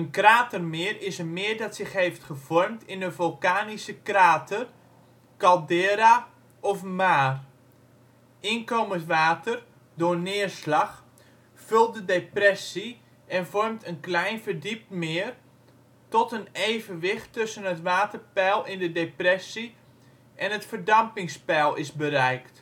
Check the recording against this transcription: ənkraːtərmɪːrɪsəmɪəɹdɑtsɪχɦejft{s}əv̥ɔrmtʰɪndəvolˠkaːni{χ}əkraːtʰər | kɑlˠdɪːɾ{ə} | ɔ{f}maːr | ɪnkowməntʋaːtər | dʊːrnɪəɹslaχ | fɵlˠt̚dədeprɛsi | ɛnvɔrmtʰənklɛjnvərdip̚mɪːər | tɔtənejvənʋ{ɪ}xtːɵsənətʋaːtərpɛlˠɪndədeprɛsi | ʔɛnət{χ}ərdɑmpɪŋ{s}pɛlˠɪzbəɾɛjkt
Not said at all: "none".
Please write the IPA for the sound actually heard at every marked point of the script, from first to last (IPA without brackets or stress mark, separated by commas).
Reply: χ, s, a, f, ɪ, f, s